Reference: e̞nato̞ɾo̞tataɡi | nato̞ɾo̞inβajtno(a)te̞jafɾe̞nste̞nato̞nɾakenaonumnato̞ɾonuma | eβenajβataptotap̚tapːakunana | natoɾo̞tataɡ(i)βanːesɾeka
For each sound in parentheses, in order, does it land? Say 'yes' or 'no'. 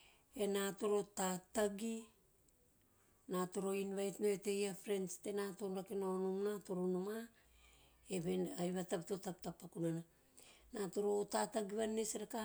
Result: no, yes

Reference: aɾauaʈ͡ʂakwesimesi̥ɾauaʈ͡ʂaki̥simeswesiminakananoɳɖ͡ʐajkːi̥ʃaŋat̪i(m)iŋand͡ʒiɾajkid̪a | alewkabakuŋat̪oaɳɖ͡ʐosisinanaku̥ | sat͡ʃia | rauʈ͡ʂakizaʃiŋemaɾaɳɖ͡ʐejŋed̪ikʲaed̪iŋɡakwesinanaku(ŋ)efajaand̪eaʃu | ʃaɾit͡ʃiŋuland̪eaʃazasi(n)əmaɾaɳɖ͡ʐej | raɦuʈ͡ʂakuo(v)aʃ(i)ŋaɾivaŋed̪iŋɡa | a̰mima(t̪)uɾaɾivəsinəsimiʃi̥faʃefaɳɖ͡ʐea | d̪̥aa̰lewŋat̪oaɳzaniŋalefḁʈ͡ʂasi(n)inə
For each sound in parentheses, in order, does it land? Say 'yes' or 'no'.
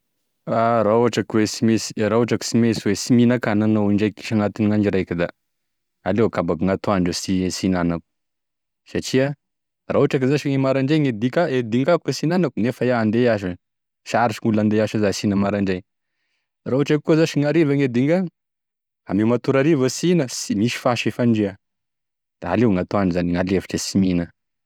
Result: no, no, yes, no, yes, yes, no

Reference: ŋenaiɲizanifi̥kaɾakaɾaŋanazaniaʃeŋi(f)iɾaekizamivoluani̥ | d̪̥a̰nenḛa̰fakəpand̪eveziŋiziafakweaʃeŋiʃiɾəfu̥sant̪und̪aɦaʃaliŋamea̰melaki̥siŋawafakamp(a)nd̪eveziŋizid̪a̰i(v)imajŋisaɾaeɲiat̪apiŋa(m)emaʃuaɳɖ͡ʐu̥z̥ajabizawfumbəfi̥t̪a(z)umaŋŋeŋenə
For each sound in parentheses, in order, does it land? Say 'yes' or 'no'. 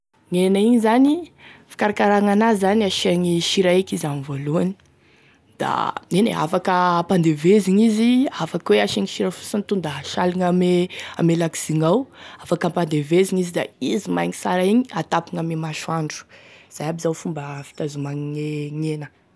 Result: no, yes, no, yes, yes

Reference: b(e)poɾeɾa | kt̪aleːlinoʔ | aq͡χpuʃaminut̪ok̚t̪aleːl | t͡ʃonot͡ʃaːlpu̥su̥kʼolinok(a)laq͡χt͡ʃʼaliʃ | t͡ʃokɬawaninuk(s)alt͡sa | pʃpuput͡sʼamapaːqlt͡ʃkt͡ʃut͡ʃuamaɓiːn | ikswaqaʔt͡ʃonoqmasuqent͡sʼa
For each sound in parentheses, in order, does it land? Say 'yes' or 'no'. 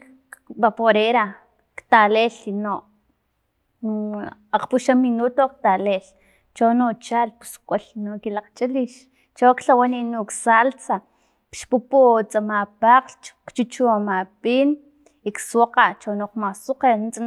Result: no, no, yes

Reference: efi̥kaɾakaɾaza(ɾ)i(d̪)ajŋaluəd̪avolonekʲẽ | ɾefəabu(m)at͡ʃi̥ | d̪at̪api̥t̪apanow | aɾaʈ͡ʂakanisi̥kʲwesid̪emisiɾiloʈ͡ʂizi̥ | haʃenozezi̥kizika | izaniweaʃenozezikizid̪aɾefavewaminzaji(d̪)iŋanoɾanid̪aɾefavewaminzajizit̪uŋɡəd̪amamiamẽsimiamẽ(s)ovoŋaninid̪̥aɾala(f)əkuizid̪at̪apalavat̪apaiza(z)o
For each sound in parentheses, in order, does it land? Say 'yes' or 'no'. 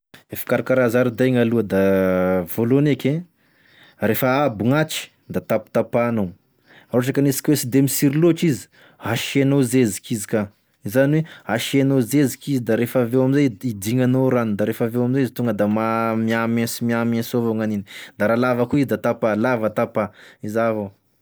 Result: yes, yes, no, yes, yes, no, no

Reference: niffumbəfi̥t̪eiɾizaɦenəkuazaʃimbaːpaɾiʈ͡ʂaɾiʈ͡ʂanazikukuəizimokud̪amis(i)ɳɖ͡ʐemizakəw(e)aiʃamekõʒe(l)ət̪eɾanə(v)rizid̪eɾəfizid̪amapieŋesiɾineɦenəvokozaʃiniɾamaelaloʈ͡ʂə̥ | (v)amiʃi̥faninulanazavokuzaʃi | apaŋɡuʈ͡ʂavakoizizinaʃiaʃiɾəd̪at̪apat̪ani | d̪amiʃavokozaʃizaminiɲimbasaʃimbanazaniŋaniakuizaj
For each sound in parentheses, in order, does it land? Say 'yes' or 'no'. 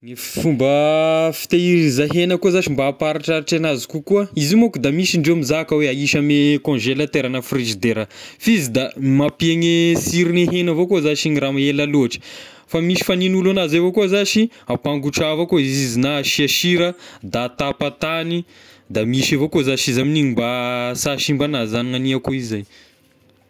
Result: yes, yes, yes, no, no

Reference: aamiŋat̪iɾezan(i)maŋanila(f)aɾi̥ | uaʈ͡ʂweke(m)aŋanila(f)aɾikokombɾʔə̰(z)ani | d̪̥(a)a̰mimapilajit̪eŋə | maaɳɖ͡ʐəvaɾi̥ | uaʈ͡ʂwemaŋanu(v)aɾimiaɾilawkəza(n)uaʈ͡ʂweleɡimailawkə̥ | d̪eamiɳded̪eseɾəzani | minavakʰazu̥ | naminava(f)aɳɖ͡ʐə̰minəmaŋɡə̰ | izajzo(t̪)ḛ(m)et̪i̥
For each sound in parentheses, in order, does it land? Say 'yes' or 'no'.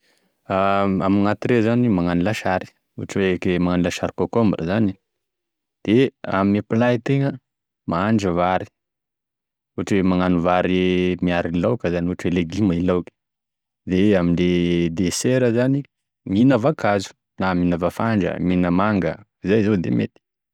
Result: yes, no, yes, no, yes, no, yes, yes, yes, no, yes

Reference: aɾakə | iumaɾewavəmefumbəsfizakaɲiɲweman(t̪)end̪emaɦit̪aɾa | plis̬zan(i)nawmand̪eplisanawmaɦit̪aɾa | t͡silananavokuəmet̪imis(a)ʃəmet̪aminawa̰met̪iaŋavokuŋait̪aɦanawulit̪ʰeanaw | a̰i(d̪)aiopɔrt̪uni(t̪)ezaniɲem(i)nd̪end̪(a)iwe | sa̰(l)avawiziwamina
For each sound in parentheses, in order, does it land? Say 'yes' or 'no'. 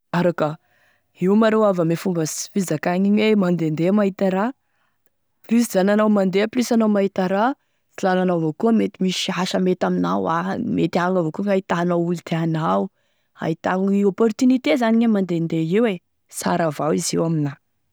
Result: no, no, yes, no, yes, no, no, no

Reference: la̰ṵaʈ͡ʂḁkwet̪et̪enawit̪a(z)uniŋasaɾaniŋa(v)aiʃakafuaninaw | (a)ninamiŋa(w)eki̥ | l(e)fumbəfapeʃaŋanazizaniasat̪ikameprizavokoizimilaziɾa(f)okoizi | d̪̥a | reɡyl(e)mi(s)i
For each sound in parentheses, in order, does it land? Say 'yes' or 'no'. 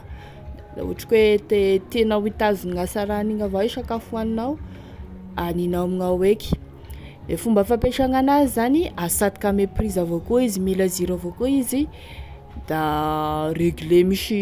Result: yes, yes, yes, yes, yes, no, yes, no

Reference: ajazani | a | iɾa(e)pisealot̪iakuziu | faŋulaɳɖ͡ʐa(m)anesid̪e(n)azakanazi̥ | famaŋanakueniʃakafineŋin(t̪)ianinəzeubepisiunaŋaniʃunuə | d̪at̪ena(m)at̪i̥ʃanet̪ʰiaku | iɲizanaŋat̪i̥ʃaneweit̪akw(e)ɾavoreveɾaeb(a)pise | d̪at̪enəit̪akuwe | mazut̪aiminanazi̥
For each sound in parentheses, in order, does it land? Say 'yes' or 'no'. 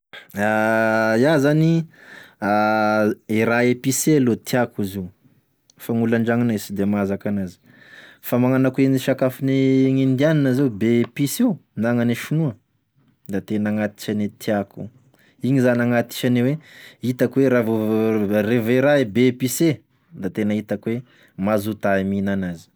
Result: yes, no, no, no, no, yes, no

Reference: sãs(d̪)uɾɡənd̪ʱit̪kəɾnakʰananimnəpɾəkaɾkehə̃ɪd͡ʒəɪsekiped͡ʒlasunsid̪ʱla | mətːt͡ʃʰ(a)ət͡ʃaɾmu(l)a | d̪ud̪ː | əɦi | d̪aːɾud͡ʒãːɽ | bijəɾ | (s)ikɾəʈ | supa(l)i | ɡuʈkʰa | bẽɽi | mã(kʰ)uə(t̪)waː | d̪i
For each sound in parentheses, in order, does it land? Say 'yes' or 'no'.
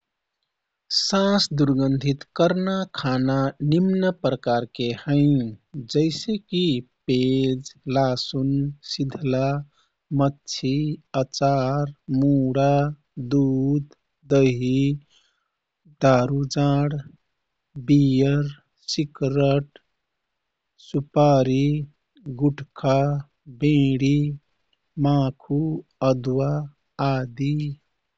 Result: yes, no, no, yes, no, yes, no

